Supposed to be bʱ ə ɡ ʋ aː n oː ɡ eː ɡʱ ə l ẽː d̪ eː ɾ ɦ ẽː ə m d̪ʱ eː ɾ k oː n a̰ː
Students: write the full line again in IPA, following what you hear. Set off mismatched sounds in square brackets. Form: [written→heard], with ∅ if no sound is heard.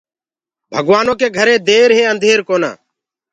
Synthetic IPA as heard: bʱ ə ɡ ʋ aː n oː [ɡ→k] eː ɡʱ ə [l→ɾ] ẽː d̪ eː ɾ ɦ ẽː ə [m→n] d̪ʱ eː ɾ k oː n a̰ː